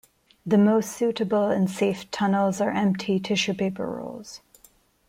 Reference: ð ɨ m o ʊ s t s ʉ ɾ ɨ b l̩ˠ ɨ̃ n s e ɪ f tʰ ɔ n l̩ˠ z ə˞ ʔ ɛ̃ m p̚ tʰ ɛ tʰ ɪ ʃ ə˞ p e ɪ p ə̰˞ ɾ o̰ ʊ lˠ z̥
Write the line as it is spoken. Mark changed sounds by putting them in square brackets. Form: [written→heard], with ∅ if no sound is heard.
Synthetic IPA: ð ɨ m o ʊ s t s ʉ ɾ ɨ b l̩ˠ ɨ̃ n s e ɪ f tʰ [ɔ→ʌ] n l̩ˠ z ə˞ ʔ ɛ̃ m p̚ tʰ [ɛ→i] tʰ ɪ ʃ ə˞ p e ɪ p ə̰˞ [ɾ→ɹ] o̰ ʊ lˠ z̥